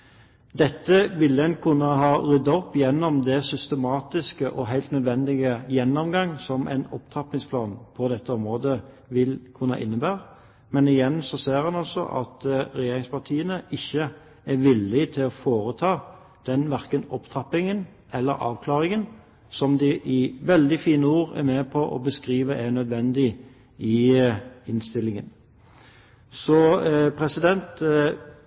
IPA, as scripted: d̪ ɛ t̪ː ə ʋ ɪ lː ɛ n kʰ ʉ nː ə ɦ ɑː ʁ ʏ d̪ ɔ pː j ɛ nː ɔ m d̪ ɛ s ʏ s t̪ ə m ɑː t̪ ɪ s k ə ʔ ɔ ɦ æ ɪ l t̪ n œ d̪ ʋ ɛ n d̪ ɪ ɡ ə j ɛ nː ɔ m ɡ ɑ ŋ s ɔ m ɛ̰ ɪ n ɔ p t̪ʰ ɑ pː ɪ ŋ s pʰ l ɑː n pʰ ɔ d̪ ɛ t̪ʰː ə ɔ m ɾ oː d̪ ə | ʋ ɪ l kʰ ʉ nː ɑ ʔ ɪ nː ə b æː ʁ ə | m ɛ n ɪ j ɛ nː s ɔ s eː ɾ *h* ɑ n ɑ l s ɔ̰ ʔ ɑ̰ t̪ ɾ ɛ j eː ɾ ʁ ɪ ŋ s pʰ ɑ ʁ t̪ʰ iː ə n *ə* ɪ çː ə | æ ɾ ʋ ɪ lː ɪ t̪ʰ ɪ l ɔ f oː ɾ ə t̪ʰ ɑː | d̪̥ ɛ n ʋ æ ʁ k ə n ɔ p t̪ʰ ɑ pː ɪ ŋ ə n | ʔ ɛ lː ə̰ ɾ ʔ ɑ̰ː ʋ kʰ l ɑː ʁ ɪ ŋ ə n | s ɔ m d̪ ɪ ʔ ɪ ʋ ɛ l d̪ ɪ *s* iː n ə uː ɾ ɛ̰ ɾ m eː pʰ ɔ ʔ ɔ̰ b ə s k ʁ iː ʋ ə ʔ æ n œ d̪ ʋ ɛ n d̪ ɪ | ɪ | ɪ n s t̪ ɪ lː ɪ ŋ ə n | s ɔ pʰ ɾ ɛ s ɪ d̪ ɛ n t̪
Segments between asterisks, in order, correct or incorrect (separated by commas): correct, correct, incorrect